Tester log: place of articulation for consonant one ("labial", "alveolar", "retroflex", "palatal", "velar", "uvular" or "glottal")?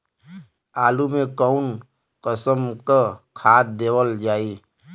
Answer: alveolar